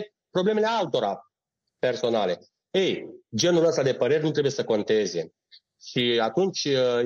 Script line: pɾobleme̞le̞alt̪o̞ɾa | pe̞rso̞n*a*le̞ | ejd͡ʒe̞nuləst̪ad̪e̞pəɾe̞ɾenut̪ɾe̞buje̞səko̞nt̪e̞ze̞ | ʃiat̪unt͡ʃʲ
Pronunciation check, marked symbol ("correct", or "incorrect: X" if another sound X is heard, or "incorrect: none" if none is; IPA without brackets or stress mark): correct